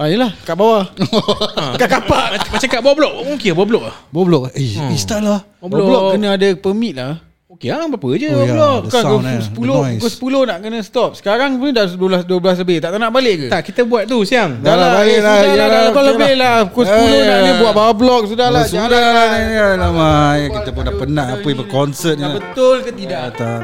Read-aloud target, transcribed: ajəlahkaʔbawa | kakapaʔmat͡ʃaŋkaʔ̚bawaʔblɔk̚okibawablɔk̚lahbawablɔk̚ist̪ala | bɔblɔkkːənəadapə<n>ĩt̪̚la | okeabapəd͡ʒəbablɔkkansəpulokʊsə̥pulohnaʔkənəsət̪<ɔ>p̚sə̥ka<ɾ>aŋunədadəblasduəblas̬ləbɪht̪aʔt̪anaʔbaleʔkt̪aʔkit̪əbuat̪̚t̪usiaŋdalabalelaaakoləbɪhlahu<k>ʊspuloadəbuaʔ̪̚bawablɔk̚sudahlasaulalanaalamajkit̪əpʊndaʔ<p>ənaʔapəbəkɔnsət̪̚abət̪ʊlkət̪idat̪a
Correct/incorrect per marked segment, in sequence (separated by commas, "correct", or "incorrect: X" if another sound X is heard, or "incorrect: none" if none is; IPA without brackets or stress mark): incorrect: m, correct, correct, correct, correct